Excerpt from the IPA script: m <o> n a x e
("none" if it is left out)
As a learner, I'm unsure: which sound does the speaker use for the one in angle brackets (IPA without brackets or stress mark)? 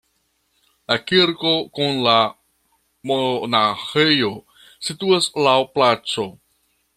o